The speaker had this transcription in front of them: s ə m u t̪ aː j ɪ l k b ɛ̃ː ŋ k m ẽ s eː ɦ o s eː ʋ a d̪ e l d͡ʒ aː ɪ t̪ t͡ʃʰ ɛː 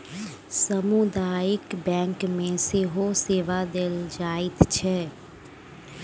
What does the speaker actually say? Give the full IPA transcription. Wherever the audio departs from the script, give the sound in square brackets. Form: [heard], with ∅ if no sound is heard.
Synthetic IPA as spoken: s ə m u [d̪] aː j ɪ [∅] k b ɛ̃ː ŋ k m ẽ s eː ɦ o s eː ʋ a d̪ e l d͡ʒ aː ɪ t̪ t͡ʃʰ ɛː